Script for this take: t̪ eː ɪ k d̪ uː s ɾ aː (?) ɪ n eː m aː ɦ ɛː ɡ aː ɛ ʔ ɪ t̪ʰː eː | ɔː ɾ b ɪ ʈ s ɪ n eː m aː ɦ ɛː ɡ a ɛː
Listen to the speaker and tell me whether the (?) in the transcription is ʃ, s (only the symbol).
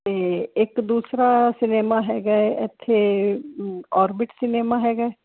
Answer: s